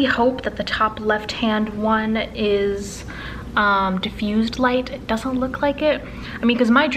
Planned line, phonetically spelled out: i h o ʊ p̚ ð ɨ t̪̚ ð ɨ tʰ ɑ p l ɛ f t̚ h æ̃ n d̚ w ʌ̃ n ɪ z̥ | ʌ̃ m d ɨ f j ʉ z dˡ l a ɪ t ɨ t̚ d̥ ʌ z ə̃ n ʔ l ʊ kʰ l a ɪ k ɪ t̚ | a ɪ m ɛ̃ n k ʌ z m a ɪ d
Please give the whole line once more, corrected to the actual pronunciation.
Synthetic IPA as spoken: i h o ʊ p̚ ð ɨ t̪̚ ð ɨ tʰ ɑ p l ɛ f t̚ h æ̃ n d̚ w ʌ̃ n ɪ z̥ | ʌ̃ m d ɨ f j ʉ z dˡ l a ɪ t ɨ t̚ d̥ ʌ z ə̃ n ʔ l ʊ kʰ l a ɪ k ɪ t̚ | a ɪ m ĩ n k ʌ z m a ɪ d